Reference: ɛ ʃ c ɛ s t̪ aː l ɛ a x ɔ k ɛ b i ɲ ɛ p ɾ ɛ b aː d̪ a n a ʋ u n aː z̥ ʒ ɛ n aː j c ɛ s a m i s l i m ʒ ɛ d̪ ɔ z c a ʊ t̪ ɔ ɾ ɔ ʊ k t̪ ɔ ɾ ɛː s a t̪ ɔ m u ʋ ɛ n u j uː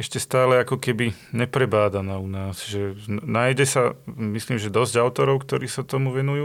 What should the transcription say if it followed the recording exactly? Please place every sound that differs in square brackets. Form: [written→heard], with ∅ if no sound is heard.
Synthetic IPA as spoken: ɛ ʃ c ɛ s t̪ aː l ɛ a [x→k] ɔ k ɛ b i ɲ ɛ p ɾ ɛ b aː d̪ a n a [ʋ→∅] u n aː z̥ ʒ ɛ n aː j [c→ɟ] ɛ s a m i s l [i→iː] m ʒ ɛ d̪ ɔ z [c→ɟ] a ʊ t̪ ɔ ɾ ɔ ʊ k t̪ ɔ ɾ [ɛː→iː] s a t̪ ɔ m u ʋ ɛ n u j uː